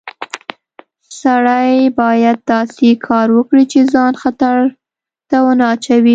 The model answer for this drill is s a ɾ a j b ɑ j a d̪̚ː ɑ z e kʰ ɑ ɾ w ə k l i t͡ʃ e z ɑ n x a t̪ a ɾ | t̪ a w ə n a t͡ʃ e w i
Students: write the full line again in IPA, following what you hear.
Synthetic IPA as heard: s a ɽ a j b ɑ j a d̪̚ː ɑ s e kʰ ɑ ɾ w ə k ɽ i t͡ʃ e z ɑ n x a t̪ a ɾ | t̪ a w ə n ɑ t͡ʃ a w i